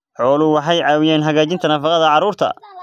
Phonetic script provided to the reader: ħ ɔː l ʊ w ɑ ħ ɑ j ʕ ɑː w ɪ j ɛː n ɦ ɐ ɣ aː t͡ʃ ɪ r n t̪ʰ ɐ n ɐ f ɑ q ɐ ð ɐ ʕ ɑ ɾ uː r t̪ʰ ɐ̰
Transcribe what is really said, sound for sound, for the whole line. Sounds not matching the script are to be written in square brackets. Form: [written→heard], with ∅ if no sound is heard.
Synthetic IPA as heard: ħ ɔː l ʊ w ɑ ħ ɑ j ʕ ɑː w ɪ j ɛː n ɦ ɐ ɣ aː t͡ʃ ɪ [r→∅] n t̪ʰ ɐ n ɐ f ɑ q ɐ ð ɐ ʕ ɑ ɾ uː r t̪ʰ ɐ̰